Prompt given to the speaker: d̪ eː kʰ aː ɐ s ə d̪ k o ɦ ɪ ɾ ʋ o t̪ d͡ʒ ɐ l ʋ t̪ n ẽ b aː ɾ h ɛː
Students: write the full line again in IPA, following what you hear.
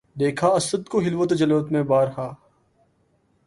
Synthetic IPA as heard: d̪ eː kʰ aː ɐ s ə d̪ k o ɦ ɪ l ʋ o t̪ d͡ʒ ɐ l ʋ t̪ m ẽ b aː ɾ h aː